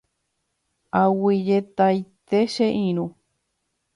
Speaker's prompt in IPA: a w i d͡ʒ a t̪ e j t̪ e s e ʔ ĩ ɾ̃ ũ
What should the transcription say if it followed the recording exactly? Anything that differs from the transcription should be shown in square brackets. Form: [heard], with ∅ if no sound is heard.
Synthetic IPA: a w i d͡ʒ [e] t̪ [a] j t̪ e [ʃ] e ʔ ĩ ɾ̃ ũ